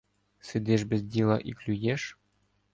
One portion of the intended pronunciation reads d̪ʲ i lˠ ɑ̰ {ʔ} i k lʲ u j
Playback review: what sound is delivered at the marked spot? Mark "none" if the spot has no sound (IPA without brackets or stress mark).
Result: ʔ